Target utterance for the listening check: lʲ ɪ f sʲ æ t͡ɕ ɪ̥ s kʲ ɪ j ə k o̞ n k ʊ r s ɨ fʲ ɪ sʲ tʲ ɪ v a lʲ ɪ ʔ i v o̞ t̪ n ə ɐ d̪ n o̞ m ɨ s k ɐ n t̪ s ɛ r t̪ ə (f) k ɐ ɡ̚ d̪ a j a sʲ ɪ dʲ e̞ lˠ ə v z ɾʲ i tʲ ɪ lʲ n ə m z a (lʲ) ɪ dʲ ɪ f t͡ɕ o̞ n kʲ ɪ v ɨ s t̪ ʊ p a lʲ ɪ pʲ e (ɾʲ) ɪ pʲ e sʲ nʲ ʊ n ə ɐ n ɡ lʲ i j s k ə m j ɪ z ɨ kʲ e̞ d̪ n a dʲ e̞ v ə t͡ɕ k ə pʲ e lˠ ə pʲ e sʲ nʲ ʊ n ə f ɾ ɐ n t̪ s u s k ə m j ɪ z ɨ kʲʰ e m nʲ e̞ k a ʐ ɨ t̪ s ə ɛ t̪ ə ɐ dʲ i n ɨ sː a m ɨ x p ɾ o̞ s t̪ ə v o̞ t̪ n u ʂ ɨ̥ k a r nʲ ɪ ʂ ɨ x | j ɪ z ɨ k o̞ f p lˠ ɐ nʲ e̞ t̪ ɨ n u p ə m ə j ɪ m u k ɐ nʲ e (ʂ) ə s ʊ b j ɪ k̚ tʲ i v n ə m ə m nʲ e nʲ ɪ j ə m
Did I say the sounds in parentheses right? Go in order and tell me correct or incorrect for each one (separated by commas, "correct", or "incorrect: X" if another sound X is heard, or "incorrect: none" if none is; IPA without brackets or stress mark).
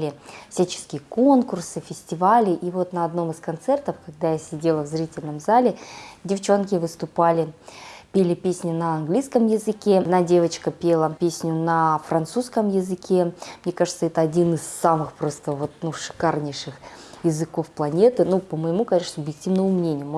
correct, correct, incorrect: lʲ, correct